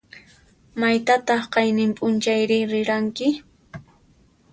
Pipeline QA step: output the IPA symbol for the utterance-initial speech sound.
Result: m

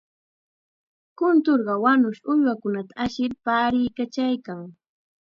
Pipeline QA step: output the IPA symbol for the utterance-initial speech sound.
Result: k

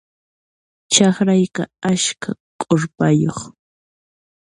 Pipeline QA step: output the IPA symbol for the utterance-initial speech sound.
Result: t͡ʃ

